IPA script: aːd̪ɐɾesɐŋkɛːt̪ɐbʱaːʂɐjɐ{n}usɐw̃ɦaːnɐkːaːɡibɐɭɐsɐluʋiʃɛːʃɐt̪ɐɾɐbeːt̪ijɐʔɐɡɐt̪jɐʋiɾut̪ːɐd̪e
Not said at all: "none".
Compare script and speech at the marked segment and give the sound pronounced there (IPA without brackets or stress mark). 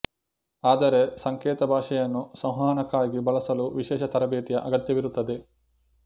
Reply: nː